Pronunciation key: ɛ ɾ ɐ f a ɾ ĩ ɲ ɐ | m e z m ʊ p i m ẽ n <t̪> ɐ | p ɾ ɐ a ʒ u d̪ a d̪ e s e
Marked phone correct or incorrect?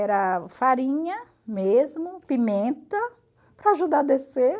correct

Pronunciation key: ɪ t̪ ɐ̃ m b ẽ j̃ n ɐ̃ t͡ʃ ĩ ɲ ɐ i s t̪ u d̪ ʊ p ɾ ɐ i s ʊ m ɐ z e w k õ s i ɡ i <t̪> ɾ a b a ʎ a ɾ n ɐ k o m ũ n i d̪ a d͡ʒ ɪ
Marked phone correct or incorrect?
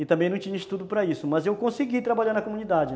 correct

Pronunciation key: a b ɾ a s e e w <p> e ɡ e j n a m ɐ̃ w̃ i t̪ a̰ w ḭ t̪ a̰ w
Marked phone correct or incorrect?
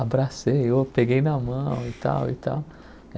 correct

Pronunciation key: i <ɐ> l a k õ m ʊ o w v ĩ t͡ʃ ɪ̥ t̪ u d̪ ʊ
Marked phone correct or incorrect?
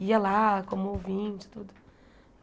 correct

